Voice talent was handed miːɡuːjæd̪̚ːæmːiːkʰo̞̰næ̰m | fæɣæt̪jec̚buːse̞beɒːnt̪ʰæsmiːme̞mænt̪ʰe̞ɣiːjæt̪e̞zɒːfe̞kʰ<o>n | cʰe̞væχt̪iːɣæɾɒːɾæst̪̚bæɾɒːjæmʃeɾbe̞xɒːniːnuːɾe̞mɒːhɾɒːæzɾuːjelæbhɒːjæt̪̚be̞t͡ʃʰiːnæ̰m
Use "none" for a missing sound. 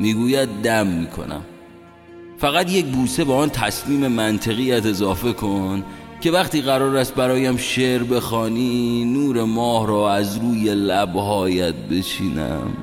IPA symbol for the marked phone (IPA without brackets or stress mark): o